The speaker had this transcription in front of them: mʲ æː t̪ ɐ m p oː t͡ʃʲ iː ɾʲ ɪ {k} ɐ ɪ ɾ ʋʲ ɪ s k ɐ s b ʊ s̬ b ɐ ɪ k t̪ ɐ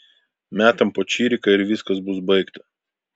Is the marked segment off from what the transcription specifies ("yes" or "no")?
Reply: no